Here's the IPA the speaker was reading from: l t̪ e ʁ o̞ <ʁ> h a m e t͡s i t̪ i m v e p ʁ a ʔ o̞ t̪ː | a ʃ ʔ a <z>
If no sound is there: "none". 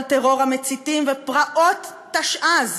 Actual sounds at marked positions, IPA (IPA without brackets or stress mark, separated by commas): ʁ, z